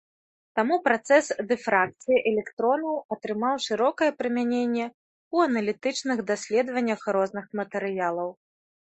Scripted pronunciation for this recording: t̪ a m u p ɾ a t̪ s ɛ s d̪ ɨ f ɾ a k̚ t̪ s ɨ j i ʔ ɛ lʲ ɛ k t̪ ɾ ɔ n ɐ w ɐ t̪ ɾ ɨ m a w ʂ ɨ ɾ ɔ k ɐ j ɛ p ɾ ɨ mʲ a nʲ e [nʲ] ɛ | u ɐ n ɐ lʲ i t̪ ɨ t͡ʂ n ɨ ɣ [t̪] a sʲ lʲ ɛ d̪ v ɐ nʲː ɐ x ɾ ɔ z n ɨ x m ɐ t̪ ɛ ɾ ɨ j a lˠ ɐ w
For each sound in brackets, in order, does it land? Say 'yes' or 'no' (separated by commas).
no, no